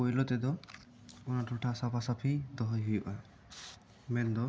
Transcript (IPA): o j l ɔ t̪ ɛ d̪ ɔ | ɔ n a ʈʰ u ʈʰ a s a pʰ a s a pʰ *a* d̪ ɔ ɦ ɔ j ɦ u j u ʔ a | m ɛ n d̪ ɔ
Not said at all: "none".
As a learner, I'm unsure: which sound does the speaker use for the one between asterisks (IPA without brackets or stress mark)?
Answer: i